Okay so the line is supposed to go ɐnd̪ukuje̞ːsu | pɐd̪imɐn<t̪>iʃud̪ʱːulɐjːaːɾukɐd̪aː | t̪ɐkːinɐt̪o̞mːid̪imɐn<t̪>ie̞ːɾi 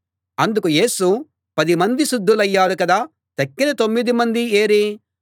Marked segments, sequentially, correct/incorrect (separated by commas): incorrect, incorrect